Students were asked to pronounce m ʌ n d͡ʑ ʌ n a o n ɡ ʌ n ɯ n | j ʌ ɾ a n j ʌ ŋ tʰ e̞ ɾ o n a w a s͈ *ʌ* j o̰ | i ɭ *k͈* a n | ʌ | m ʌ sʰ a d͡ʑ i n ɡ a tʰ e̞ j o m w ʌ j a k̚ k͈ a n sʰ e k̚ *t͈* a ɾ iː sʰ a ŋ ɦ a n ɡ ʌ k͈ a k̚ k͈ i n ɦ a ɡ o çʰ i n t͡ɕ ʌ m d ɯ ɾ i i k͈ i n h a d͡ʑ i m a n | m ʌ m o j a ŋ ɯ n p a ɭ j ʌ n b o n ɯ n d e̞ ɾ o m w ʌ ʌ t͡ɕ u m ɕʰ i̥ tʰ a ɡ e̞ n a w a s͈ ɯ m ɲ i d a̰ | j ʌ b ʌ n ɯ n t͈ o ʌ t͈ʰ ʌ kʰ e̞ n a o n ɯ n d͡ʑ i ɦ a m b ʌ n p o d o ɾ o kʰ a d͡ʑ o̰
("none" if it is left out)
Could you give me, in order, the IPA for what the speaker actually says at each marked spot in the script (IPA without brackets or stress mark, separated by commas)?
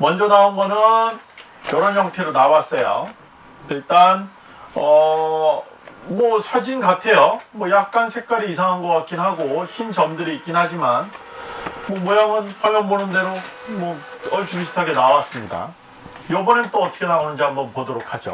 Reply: ʌ, t͈, k͈